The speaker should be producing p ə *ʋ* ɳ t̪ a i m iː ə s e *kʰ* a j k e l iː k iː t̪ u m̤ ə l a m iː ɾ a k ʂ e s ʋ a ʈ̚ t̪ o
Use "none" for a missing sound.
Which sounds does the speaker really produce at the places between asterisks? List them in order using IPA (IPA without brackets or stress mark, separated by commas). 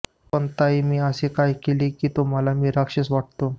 none, k